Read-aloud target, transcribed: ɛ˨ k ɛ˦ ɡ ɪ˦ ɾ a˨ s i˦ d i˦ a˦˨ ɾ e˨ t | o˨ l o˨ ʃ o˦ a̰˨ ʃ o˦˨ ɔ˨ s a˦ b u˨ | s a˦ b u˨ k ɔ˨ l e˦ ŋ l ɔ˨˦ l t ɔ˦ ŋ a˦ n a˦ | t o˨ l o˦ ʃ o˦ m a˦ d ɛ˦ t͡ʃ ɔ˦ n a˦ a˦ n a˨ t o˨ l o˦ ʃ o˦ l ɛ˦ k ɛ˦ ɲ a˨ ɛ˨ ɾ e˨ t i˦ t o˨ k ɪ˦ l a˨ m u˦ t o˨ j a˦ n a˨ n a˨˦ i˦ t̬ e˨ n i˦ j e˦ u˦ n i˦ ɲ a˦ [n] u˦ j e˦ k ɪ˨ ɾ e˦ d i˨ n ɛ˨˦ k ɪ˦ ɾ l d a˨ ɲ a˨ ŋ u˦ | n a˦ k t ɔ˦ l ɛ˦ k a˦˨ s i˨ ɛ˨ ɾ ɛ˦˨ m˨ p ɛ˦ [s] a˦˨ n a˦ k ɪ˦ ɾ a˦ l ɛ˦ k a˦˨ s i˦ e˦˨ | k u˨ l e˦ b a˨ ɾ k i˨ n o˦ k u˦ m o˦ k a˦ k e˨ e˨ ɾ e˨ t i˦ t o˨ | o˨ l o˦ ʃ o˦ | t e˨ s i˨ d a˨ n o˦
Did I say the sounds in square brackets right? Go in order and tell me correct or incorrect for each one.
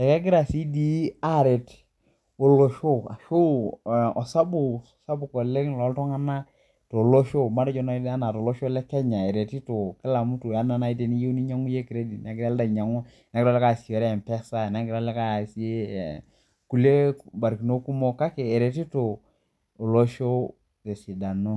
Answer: incorrect: ŋ, correct

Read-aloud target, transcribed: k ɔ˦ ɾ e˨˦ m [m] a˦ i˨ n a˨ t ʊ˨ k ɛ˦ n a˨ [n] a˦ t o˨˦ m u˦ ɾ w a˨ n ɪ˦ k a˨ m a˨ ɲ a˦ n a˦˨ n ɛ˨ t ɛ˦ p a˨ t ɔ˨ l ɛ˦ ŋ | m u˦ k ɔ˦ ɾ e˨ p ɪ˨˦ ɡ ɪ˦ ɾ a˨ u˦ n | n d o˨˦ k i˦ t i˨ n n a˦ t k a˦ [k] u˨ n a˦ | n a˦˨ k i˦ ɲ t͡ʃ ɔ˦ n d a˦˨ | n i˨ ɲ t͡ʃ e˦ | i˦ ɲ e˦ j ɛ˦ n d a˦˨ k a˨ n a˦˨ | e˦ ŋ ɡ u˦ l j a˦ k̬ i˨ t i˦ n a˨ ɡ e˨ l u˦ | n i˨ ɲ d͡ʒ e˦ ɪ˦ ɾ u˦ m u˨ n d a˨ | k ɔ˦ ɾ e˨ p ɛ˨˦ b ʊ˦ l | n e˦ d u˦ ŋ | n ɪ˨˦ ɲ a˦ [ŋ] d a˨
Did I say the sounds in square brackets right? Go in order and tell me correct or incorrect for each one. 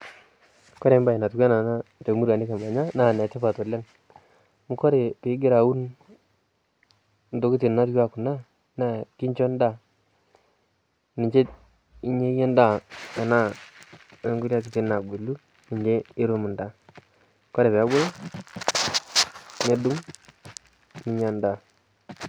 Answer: incorrect: b, correct, correct, incorrect: n

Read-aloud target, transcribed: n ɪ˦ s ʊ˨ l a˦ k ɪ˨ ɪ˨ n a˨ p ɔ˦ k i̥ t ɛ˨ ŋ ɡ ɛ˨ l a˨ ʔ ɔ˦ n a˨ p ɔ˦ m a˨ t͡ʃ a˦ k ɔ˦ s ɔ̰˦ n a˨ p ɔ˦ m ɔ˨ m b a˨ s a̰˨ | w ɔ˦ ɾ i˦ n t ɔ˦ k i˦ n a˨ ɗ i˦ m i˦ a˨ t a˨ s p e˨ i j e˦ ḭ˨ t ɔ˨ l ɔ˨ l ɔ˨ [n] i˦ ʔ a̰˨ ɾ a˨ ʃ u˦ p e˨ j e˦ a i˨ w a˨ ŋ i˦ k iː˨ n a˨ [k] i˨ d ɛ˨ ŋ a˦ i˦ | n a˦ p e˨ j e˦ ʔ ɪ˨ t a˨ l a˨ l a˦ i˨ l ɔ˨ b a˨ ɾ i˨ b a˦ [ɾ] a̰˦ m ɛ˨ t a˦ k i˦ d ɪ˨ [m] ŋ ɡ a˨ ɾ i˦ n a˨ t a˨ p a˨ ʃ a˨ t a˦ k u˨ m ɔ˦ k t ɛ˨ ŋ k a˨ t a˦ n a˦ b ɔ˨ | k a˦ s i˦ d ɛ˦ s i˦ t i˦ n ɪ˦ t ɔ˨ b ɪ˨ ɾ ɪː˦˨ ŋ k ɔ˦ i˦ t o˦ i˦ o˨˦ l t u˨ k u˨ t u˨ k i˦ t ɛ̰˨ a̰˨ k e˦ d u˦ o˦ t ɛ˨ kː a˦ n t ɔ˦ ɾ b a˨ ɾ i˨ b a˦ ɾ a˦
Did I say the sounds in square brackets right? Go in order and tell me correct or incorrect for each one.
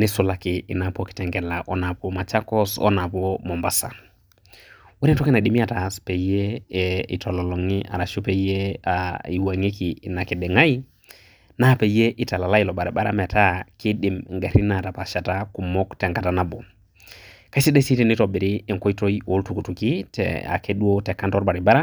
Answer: incorrect: ŋ, correct, correct, correct

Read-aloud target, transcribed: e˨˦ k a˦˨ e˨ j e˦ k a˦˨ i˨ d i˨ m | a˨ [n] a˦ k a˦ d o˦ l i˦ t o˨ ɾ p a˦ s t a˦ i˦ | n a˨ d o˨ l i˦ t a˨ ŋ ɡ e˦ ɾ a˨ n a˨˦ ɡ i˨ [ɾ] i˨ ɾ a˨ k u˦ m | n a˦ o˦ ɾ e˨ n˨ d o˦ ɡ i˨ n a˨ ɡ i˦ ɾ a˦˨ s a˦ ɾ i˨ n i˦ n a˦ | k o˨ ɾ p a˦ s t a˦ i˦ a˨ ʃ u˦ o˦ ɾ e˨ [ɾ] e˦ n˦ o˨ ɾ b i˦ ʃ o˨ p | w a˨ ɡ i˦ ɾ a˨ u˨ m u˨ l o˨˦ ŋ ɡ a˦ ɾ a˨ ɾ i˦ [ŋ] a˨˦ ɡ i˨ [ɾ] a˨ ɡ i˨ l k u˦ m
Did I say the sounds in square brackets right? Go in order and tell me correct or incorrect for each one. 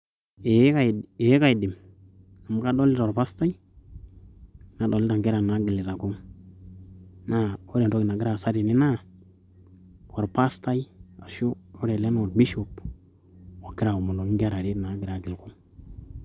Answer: incorrect: m, incorrect: l, incorrect: l, incorrect: n, correct

